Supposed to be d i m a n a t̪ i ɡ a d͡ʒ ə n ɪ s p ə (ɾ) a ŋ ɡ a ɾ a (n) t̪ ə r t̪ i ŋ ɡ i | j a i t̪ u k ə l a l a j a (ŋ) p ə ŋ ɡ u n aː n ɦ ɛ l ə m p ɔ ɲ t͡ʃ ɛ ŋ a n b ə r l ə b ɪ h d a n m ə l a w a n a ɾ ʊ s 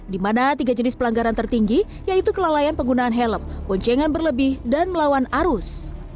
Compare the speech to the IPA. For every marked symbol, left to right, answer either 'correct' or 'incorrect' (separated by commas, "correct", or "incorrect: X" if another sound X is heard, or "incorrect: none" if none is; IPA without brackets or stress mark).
incorrect: l, correct, incorrect: n